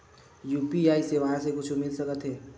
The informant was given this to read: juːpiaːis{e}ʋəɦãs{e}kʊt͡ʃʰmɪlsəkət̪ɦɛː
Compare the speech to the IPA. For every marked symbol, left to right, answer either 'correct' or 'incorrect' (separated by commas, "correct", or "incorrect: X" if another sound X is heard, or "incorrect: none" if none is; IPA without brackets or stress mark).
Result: correct, correct